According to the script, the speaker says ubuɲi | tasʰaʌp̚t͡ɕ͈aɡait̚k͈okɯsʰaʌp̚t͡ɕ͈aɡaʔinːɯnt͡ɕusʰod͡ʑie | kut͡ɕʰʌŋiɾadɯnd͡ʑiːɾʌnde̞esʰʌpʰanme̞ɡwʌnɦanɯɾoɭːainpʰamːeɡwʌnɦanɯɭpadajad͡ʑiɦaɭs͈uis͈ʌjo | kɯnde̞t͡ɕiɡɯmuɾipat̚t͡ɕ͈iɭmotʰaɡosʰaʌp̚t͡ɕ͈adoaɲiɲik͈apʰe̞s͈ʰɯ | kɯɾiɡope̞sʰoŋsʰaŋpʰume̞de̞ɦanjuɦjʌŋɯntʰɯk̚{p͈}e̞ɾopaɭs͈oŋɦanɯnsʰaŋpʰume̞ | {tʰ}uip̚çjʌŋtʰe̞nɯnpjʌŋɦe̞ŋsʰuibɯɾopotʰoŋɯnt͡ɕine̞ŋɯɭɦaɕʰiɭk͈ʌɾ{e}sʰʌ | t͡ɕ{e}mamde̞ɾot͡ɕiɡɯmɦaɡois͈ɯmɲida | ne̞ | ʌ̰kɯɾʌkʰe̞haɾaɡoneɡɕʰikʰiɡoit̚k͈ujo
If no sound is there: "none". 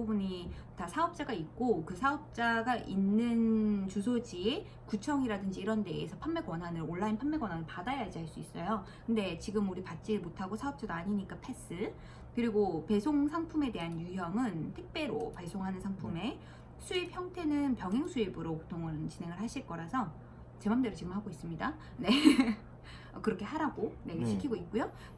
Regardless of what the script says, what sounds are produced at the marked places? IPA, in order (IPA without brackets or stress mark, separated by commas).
p͈, sʰ, a, e